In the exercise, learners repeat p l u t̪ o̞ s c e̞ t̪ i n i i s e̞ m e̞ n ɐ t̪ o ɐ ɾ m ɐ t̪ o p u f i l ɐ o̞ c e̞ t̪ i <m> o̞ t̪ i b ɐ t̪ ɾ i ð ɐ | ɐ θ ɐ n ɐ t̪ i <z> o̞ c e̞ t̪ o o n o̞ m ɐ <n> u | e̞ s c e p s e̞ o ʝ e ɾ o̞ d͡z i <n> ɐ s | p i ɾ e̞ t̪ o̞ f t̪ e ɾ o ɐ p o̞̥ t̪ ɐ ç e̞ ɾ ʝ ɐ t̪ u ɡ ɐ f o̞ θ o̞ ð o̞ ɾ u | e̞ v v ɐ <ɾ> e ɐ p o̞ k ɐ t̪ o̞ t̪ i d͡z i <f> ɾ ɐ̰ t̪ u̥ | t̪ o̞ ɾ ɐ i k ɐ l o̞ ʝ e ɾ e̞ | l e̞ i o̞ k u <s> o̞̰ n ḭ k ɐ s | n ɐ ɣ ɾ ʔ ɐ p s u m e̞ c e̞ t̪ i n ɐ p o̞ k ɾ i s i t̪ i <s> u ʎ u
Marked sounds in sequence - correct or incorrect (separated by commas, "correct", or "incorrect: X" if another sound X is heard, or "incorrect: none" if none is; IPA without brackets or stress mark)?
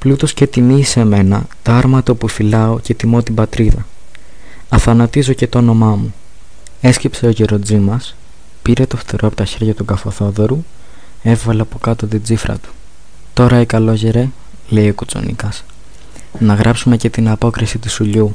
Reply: correct, correct, incorrect: m, incorrect: m, incorrect: l, correct, incorrect: t͡s, correct